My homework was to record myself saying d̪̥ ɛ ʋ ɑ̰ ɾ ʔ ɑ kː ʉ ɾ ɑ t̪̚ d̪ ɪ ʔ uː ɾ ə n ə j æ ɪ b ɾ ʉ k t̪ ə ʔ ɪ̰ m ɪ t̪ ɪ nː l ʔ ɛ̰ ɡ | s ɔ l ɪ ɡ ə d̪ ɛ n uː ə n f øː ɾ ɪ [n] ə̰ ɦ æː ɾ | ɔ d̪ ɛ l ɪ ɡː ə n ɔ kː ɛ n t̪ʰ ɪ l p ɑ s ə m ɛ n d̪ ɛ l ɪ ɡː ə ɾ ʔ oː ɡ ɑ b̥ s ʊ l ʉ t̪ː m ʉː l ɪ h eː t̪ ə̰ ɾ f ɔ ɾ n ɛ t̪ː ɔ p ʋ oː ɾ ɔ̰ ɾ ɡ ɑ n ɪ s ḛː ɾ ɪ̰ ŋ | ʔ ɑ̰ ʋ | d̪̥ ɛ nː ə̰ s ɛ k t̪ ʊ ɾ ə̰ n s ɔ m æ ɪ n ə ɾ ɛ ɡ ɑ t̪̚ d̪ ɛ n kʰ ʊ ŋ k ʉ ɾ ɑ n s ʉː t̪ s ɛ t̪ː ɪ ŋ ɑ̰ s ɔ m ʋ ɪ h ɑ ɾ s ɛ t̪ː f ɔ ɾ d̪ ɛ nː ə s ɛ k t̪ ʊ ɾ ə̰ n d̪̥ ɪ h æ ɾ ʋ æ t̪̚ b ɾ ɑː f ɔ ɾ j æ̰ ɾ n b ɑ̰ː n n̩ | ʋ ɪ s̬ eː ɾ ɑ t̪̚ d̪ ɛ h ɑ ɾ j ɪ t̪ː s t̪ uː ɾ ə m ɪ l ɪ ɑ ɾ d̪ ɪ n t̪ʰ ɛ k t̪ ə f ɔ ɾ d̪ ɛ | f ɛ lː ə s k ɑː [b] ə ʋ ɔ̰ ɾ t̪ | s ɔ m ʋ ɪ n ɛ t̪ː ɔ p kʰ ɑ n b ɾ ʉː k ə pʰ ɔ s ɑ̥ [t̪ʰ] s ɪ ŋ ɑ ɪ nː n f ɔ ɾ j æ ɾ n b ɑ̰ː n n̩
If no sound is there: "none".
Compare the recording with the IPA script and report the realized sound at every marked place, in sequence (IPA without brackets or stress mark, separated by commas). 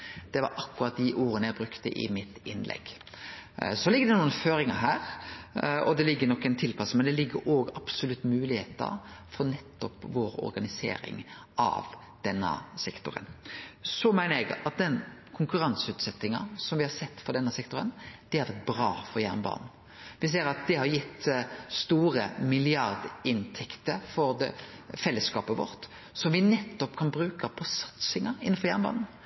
ŋ, p, t̪